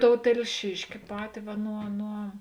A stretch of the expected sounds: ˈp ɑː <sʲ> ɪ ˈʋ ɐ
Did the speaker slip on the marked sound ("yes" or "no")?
yes